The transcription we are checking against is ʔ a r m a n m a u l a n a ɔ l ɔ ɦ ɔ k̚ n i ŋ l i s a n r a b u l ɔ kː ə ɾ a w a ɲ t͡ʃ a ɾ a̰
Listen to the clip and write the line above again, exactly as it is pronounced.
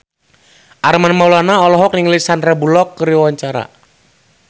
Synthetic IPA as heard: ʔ a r m a n m a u l a n a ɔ l ɔ ɦ ɔ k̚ n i ŋ l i s a n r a b u l ɔ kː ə ɾ i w a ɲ t͡ʃ a ɾ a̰